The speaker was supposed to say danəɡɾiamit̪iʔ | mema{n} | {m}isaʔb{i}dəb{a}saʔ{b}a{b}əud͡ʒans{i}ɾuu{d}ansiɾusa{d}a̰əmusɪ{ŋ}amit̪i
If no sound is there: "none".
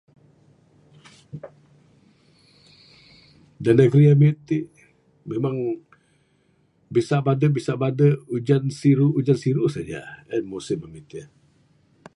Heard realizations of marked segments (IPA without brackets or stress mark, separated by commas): ŋ, b, a, i, b, d, i, d͡ʒ, d͡ʒ, m